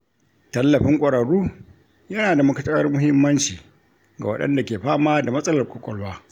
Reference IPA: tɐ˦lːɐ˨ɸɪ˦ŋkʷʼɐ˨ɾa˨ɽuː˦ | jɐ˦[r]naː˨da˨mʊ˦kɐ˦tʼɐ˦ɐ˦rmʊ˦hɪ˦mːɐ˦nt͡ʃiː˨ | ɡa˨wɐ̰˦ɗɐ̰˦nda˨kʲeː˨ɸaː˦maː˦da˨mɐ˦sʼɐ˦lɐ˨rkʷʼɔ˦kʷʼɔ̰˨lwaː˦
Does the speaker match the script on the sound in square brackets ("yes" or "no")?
no